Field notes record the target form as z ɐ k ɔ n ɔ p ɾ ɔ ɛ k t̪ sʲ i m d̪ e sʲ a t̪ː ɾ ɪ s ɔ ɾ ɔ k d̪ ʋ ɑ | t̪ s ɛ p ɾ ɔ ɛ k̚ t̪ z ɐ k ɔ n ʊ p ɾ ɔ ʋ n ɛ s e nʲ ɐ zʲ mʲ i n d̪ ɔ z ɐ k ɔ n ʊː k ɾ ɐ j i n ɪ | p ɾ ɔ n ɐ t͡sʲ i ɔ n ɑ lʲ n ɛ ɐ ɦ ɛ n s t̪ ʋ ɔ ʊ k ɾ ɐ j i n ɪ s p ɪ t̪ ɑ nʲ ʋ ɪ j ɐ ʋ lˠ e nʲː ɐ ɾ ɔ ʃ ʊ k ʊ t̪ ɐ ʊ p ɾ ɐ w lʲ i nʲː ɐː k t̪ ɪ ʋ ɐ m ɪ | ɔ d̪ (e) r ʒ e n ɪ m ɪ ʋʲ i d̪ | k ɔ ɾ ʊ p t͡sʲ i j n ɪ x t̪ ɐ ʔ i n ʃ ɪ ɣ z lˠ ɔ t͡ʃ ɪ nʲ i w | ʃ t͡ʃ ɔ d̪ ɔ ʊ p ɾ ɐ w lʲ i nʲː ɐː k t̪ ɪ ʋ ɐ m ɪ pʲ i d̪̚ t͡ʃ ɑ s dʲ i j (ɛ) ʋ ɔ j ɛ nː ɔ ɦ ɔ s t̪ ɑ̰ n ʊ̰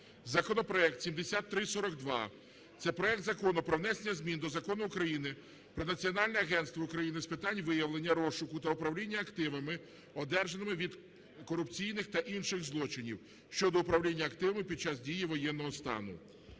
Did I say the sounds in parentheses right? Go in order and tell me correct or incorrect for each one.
incorrect: ɛ, incorrect: i

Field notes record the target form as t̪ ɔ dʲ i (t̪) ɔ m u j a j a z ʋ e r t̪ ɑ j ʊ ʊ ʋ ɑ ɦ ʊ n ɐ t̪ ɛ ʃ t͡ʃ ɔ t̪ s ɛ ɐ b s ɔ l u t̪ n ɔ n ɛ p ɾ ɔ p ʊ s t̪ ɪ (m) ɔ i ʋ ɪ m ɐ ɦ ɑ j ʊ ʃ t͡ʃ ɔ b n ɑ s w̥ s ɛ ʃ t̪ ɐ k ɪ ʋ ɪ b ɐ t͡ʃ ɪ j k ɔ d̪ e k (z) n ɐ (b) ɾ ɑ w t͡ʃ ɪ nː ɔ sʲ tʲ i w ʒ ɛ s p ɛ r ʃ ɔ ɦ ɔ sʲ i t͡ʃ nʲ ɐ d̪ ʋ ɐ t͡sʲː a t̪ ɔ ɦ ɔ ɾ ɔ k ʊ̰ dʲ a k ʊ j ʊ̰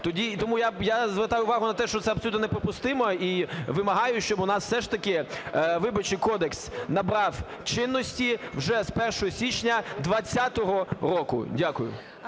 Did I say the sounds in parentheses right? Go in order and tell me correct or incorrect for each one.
correct, correct, incorrect: s, correct

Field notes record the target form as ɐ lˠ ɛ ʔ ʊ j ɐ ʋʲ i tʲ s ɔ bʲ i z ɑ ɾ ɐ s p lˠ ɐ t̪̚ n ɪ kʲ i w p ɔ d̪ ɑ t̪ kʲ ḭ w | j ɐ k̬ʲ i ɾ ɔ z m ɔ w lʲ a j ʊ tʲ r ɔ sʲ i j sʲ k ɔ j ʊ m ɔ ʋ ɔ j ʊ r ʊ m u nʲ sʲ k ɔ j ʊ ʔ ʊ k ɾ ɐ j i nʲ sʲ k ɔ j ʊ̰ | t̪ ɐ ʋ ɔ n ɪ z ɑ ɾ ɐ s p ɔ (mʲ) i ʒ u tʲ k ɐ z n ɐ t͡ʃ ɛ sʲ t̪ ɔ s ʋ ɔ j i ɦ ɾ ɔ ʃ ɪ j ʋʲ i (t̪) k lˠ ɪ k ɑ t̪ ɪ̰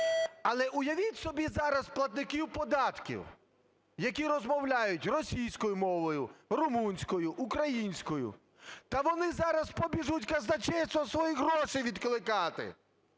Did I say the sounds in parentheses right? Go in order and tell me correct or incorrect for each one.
incorrect: bʲ, incorrect: d̪

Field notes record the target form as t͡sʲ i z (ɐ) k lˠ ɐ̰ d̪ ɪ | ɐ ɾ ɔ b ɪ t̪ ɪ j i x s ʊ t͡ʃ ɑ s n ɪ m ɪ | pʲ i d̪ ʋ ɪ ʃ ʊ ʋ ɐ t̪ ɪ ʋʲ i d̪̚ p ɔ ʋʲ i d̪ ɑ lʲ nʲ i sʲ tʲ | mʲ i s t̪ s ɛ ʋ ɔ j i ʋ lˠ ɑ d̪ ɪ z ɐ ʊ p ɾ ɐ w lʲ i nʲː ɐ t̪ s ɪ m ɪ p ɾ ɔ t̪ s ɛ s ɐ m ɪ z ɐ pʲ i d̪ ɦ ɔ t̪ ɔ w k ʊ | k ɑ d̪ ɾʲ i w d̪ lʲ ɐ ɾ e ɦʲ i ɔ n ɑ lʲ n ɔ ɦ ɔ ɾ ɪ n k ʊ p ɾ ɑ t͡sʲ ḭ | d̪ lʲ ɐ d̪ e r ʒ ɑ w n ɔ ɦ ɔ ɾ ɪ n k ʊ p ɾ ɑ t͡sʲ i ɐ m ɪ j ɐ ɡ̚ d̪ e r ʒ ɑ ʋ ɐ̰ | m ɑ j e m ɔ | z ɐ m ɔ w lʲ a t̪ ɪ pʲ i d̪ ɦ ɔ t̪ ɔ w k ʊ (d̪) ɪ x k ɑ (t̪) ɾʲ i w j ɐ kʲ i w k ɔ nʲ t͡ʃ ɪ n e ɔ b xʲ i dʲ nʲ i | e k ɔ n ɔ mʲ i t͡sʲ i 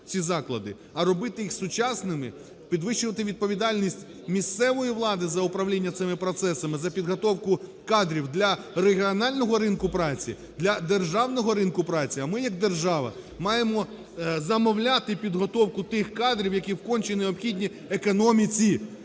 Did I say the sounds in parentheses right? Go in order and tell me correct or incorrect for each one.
incorrect: ɑ, incorrect: t̪, incorrect: d̪

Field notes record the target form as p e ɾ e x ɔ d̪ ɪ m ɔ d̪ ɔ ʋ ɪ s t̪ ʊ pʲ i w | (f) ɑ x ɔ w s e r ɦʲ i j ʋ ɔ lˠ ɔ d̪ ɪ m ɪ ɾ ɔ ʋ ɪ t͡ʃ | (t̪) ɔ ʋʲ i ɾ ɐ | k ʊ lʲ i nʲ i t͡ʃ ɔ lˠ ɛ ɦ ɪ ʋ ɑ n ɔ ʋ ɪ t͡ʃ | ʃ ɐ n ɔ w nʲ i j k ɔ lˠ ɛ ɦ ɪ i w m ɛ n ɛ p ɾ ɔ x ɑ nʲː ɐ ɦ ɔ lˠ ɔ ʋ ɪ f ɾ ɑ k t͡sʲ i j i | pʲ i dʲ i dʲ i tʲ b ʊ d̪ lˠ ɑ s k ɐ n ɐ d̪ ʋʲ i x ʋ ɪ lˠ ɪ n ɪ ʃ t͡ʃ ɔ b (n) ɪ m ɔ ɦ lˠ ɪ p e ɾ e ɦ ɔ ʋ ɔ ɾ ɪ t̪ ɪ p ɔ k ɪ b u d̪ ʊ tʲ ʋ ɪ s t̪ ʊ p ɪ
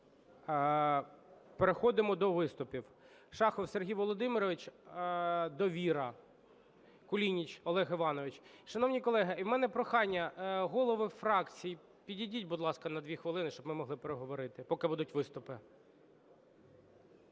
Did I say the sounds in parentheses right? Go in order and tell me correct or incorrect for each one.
incorrect: ʃ, incorrect: d̪, incorrect: m

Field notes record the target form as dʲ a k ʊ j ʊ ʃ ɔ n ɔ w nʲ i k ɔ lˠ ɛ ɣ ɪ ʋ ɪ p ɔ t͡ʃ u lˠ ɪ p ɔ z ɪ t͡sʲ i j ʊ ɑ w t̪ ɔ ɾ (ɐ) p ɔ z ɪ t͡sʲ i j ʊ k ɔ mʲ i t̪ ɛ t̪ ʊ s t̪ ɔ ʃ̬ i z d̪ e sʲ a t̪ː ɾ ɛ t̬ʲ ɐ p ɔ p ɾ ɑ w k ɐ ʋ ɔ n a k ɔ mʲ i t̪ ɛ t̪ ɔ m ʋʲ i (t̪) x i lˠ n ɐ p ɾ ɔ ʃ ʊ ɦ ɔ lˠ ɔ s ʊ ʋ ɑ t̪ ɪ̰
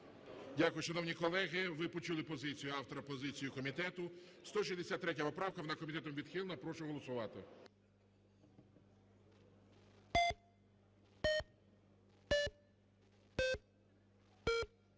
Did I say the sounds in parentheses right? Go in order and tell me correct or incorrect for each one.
correct, incorrect: d̪

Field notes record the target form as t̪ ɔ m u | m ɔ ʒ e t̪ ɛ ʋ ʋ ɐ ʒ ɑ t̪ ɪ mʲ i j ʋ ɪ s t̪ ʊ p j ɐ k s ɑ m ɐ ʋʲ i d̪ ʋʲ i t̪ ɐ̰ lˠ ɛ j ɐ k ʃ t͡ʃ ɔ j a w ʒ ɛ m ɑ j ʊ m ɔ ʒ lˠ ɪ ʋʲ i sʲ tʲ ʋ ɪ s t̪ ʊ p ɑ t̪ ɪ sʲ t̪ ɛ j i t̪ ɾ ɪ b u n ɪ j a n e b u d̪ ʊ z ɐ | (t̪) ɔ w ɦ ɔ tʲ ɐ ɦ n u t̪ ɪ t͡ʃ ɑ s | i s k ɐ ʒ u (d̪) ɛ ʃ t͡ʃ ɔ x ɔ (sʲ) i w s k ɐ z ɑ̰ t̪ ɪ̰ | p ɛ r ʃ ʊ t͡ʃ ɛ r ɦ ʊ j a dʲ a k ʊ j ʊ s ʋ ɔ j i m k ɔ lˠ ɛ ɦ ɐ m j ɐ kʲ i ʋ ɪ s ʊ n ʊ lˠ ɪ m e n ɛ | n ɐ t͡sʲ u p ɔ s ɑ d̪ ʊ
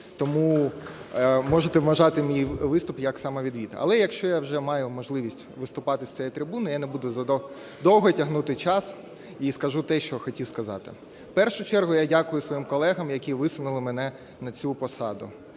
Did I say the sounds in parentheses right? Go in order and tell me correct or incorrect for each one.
incorrect: d̪, incorrect: t̪, incorrect: tʲ

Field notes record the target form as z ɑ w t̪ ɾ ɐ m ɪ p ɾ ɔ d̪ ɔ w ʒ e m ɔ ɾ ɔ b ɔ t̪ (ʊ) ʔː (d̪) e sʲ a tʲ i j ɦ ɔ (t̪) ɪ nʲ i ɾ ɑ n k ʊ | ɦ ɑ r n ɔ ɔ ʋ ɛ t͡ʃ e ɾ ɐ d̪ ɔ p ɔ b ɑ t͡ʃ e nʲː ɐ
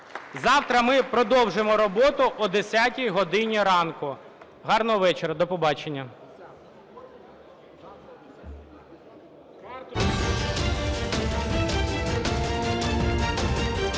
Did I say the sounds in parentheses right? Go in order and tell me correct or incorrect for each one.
correct, correct, incorrect: d̪

